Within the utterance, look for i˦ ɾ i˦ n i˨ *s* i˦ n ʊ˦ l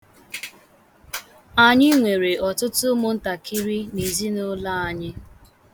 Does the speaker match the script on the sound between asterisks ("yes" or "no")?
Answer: no